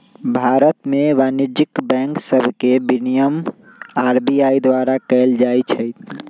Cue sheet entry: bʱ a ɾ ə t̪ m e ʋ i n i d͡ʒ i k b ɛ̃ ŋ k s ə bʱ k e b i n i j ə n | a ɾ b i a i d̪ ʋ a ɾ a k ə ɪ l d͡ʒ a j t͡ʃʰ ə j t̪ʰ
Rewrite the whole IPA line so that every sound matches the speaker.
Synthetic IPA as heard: bʱ a ɾ ə t̪ m e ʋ a n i d͡ʒ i k b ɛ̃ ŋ k s ə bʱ k e b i n i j ə m | a ɾ b i a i d̪ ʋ a ɾ a k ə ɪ l d͡ʒ a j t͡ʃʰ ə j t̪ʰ